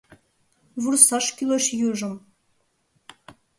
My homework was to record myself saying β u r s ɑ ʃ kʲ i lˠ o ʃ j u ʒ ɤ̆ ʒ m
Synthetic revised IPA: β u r s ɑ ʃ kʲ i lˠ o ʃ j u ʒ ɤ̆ m